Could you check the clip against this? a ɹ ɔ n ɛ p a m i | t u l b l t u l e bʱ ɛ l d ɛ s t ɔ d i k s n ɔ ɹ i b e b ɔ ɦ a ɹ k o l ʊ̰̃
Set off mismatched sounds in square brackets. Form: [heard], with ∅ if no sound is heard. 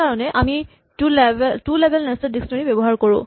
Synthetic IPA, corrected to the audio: a ɹ ɔ n ɛ [ʔ] a m i | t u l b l t u l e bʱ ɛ l [n] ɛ s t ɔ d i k s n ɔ ɹ i b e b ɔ ɦ a ɹ k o [ɹ] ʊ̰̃